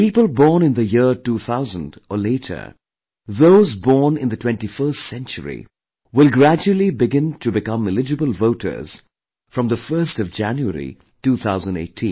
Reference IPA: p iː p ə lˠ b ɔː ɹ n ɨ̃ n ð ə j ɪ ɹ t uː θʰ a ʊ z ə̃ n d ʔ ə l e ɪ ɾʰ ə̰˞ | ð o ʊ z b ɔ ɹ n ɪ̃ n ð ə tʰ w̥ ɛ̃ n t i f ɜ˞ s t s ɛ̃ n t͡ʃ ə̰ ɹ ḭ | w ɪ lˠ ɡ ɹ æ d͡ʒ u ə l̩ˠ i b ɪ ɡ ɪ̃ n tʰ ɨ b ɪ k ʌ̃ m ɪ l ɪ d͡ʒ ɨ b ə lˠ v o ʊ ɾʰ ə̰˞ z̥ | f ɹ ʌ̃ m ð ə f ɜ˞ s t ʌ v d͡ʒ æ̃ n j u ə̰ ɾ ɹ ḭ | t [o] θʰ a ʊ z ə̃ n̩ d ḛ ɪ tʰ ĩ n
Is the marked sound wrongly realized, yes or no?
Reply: yes